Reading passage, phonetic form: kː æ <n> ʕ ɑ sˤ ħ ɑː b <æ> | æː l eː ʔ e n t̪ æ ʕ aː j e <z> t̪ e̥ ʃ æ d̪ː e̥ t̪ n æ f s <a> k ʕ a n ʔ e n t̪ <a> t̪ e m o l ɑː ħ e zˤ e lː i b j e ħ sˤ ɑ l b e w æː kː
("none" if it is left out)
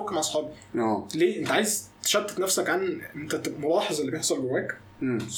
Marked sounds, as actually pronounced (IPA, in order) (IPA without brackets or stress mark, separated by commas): m, i, z, æ, æ